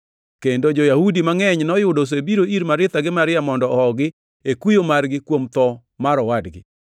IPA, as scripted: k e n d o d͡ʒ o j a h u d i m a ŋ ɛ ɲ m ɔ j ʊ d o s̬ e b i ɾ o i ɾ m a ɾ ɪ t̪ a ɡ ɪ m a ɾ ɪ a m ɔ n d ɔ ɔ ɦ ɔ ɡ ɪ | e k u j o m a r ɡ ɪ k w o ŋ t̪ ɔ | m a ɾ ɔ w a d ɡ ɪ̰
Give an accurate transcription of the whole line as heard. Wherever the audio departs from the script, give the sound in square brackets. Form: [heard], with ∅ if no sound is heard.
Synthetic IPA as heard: k e n d o d͡ʒ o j a h u d i m a ŋ ɛ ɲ [n] ɔ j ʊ d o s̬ e b i ɾ o i ɾ m a ɾ ɪ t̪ a ɡ ɪ m a ɾ ɪ a m ɔ n d ɔ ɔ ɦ ɔ ɡ ɪ | e k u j o m a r ɡ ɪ k w o [m] t̪ ɔ | m a ɾ ɔ w a d ɡ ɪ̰

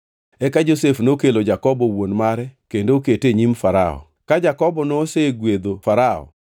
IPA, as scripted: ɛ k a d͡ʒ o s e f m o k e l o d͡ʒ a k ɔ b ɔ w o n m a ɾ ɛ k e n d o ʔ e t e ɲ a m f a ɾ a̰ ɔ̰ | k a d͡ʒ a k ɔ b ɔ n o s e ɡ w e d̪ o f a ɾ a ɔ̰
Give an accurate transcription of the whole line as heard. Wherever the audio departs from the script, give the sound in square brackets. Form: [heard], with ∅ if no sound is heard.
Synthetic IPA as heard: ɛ k a d͡ʒ o s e f [n] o k e l o d͡ʒ a k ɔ b ɔ w o n m a ɾ ɛ k e n d o [k] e t e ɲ [i] m f a ɾ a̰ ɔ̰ | k a d͡ʒ a k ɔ b ɔ n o s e ɡ w e d̪ o f a ɾ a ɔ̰

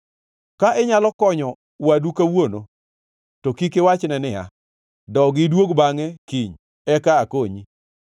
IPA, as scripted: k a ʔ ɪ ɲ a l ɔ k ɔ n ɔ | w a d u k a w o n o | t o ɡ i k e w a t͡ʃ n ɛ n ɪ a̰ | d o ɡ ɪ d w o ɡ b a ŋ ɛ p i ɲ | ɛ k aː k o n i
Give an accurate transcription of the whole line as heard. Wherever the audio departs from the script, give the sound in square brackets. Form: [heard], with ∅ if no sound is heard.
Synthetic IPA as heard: k a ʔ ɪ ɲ a l ɔ k ɔ [ɲ] ɔ | w a d u k a w o n o | t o [k] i k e w a t͡ʃ n ɛ n ɪ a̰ | d [ɔ] ɡ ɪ d w o ɡ b a ŋ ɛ [k] i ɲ | ɛ k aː k o [ɲ] i

